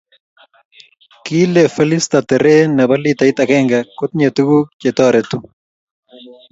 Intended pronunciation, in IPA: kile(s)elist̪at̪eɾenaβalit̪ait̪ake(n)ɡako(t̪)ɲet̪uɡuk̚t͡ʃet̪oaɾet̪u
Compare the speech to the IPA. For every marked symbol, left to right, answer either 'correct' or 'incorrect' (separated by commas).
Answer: incorrect, incorrect, correct